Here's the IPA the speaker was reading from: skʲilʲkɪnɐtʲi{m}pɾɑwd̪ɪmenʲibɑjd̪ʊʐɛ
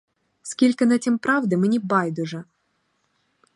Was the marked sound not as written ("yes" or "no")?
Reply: no